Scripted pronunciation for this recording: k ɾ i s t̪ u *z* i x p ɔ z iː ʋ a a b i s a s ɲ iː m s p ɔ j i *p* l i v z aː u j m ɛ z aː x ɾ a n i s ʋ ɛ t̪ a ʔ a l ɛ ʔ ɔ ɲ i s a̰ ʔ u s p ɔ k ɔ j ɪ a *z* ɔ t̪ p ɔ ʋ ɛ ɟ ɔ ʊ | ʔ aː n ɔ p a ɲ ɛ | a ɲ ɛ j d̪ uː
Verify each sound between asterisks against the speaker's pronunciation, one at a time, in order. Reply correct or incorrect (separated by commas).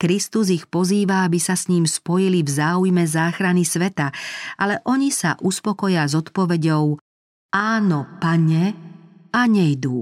correct, incorrect, correct